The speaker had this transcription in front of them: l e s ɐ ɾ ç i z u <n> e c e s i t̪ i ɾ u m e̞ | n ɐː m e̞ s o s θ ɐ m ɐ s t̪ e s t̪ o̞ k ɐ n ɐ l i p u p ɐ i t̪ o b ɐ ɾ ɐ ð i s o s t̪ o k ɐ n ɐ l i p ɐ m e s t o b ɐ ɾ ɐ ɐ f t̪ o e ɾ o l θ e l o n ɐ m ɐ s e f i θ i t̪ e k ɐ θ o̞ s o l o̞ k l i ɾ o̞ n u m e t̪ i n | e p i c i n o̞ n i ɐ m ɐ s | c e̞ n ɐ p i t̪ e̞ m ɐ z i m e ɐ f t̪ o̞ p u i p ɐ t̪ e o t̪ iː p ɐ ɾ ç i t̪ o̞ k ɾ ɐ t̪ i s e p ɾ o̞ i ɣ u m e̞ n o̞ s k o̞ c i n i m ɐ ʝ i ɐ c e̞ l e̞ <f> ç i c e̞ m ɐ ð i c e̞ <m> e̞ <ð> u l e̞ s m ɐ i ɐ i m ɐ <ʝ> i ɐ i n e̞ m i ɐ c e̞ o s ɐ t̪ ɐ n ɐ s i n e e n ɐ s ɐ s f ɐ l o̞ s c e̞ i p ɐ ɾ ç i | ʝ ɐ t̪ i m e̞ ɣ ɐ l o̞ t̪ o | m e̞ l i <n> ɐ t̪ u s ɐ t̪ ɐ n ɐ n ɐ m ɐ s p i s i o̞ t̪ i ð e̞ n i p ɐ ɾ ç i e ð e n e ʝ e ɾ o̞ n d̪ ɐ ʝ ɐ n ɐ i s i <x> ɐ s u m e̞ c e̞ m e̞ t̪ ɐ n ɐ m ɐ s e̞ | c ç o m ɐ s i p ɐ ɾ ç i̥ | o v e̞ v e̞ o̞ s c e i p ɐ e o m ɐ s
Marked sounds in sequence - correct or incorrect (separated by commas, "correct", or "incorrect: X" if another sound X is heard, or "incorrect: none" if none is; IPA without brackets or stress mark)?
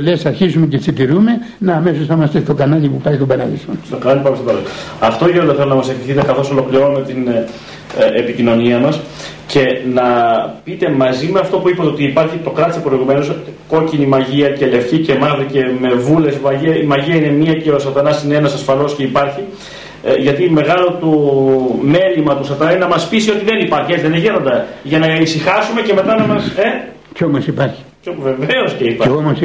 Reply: incorrect: m, correct, correct, incorrect: v, correct, incorrect: m, correct